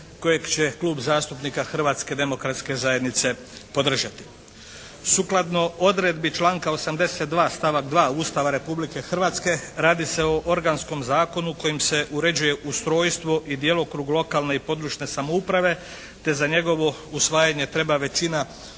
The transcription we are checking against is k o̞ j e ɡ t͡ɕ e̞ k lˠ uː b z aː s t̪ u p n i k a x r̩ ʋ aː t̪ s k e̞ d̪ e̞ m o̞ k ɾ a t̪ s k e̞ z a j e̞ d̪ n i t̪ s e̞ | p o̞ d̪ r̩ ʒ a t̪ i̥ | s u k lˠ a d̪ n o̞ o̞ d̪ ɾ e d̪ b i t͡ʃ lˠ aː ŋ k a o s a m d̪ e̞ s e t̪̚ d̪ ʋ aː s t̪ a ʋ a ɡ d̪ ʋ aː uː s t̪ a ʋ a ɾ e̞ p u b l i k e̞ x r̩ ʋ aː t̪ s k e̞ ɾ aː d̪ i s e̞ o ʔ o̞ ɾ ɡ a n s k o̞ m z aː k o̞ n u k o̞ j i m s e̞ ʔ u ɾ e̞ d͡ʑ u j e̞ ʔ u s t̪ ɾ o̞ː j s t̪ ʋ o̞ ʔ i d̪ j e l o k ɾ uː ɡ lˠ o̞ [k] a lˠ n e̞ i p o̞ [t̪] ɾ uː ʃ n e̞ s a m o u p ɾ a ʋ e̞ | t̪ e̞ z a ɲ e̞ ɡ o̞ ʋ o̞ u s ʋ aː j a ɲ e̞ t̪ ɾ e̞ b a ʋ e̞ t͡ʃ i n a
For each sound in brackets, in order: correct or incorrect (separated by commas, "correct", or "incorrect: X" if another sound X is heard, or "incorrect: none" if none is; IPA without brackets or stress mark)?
correct, incorrect: d̪